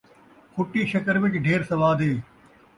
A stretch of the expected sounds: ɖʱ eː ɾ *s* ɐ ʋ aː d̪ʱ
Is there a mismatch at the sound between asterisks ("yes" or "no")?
no